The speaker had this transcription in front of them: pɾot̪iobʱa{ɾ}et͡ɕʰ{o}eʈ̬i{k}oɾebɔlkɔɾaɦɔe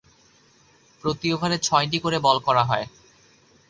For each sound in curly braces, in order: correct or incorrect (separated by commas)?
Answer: correct, incorrect, correct